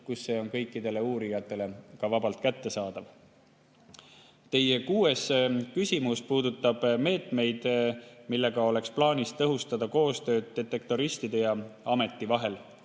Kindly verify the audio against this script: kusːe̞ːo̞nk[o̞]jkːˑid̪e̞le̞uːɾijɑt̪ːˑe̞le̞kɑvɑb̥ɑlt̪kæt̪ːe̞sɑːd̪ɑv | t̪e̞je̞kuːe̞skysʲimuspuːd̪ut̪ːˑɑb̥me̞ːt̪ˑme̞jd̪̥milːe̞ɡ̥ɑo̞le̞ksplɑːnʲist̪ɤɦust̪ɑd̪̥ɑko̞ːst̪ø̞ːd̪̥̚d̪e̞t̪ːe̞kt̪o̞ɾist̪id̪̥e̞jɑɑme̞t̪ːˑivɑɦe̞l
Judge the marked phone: incorrect: ɤ̞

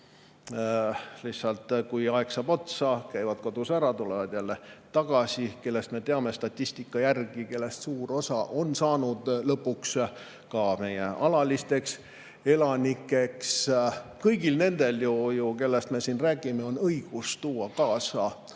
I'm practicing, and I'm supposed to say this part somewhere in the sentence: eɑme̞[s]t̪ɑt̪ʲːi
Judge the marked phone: correct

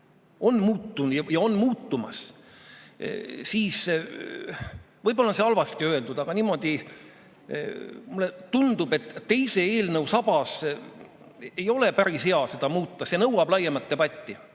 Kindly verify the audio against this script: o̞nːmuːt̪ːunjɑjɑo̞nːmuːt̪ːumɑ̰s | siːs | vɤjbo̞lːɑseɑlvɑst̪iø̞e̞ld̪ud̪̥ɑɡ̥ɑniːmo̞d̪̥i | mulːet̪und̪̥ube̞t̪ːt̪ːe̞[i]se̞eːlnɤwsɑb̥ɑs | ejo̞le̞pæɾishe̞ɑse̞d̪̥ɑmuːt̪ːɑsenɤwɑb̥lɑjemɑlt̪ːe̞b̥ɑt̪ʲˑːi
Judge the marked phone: incorrect: j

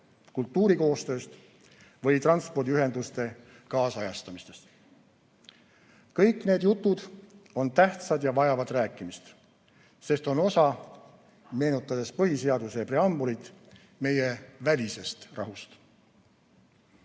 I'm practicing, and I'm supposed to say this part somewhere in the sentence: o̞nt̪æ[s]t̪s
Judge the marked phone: incorrect: h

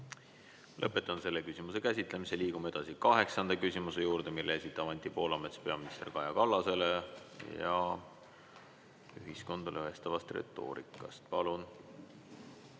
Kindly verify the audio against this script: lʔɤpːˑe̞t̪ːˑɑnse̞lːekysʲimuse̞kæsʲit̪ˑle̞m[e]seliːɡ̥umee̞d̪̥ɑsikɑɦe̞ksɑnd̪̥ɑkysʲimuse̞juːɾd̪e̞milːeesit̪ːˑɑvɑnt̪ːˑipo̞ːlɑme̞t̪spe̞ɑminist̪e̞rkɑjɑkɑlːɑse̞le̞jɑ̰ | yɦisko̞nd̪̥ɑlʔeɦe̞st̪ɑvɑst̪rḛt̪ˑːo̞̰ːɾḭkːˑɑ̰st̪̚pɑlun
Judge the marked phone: incorrect: i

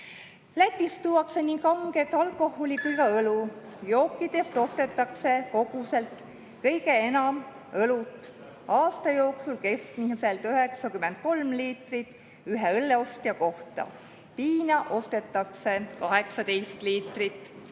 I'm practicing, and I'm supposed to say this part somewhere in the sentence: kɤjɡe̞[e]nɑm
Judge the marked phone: correct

